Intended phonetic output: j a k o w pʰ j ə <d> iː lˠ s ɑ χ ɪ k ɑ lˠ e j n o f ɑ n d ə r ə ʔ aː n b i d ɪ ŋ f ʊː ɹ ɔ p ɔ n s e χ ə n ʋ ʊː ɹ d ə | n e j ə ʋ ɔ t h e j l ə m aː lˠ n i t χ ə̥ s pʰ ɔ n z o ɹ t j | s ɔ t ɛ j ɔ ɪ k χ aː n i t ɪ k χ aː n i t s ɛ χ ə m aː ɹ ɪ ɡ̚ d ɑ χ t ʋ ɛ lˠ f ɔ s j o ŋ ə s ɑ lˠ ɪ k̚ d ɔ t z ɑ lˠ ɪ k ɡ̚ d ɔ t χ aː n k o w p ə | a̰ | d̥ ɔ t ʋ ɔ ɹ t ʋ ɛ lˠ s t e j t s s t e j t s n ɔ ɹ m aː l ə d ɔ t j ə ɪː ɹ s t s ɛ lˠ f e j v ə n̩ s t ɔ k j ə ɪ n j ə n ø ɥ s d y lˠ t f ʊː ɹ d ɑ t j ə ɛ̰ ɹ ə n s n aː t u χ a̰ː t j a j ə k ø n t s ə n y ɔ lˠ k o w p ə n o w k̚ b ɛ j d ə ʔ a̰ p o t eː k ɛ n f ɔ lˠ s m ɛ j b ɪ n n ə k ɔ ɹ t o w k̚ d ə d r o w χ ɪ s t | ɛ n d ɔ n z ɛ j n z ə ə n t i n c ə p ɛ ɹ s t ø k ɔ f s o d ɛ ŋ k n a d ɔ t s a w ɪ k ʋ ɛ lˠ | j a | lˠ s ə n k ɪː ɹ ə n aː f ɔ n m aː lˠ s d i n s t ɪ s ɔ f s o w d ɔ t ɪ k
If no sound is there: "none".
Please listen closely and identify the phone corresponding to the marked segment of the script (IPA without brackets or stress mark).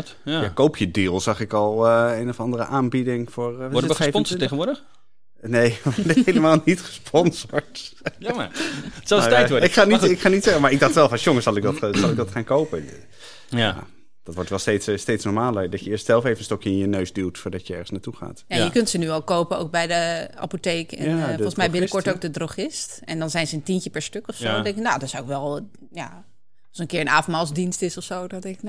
d